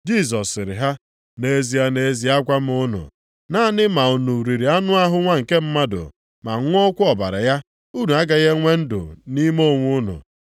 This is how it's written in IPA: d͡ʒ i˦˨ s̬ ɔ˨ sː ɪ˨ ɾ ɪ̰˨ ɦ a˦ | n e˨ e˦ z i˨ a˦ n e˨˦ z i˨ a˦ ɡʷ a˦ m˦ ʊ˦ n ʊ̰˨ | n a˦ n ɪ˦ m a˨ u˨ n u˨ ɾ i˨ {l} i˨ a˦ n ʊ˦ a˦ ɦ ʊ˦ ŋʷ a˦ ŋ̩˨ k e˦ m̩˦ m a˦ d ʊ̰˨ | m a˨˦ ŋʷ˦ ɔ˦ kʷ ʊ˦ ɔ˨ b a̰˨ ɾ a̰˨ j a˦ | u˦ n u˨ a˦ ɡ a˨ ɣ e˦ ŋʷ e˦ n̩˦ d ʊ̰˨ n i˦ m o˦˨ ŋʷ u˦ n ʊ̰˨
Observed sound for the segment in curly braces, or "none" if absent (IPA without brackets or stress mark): ɾ